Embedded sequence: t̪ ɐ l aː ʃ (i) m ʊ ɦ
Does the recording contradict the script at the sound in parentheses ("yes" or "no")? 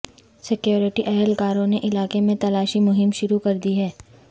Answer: no